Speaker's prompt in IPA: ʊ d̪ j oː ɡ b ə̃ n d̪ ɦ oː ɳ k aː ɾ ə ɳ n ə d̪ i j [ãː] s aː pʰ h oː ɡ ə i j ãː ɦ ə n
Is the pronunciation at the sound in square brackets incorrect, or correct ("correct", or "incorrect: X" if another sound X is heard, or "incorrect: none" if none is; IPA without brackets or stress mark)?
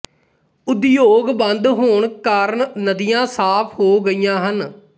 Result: correct